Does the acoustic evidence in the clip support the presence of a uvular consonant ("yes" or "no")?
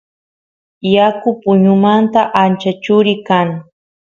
no